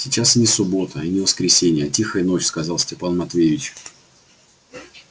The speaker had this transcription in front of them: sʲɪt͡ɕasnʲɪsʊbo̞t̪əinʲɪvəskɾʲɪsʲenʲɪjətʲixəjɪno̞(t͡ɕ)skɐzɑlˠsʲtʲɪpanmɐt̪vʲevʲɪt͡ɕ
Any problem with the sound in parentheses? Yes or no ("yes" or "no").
no